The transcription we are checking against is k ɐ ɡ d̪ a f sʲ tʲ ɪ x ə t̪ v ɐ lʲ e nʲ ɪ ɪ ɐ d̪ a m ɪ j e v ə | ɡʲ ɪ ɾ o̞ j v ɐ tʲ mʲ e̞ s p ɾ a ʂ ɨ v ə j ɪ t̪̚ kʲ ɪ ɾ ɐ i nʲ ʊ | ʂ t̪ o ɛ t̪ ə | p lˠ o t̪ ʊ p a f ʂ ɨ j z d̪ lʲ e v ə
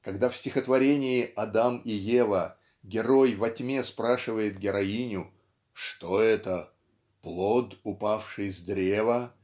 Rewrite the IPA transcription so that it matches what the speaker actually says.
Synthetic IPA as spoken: k ɐ ɡ d̪ a f sʲ tʲ ɪ x ə t̪ v ɐ ɾʲ e nʲ ɪ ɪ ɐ d̪ a m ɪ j e v ə | ɡʲ ɪ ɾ o̞ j v ɐ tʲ mʲ e̞ s p ɾ a ʂ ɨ v ə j ɪ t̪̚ ɡʲ ɪ ɾ ɐ i nʲ ʊ | ʂ t̪ o ɛ t̪ ə | p lˠ o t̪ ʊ p a f ʂ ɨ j z d̪ ɾʲ e v ə